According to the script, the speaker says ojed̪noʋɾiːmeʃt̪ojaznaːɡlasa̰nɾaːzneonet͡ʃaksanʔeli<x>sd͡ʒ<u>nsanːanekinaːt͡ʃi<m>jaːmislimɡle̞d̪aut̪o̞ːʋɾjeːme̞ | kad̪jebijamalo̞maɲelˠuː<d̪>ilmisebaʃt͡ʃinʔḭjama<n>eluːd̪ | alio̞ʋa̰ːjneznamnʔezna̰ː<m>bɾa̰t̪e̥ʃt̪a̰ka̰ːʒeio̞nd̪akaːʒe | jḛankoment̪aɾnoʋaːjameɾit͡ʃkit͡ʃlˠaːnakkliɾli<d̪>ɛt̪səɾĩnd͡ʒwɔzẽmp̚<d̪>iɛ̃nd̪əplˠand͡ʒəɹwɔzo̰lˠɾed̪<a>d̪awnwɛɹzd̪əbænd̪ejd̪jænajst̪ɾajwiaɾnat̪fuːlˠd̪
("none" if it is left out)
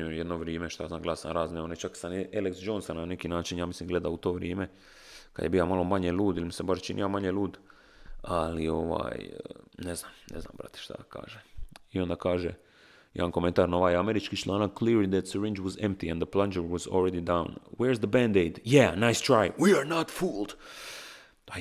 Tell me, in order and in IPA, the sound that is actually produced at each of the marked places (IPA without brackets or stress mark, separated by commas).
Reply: k, o, n, d̪, ɲ, m, d̪, t̪, i